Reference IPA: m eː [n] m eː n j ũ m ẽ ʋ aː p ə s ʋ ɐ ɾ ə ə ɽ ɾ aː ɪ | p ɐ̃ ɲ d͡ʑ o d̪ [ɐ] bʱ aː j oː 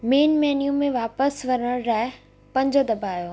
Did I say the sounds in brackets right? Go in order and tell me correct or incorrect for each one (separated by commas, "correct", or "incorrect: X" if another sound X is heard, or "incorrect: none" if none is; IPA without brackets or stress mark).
correct, correct